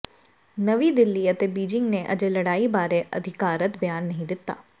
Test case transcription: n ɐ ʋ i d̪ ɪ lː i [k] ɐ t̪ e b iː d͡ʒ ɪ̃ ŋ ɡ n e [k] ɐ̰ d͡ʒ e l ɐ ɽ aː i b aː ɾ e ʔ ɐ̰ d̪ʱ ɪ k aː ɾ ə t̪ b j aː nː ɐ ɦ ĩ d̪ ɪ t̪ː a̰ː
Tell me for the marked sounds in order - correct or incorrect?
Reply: incorrect: none, incorrect: ʔ

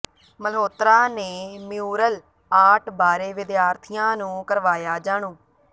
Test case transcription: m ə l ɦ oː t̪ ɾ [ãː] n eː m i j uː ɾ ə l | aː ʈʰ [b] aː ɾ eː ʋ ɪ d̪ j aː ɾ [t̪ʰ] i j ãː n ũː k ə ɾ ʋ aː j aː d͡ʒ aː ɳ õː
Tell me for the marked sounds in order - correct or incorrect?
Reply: incorrect: aː, correct, correct

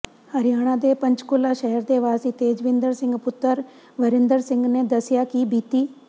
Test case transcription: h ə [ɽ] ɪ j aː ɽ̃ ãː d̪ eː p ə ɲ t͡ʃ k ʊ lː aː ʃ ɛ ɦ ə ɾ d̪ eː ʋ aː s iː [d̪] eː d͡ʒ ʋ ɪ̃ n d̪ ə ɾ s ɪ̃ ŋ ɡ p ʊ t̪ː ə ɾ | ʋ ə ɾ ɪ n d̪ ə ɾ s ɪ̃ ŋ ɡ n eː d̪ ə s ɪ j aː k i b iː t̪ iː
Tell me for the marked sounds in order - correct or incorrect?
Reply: incorrect: ɾ, incorrect: t̪

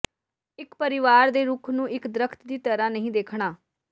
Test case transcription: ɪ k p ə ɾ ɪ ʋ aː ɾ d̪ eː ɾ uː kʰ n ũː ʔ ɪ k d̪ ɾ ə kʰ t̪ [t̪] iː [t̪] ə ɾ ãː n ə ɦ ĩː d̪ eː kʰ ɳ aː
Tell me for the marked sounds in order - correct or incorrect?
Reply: incorrect: d̪, correct

